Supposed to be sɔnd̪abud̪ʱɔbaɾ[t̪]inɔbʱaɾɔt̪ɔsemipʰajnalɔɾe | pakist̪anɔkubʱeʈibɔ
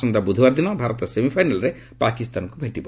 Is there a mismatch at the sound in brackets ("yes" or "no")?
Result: yes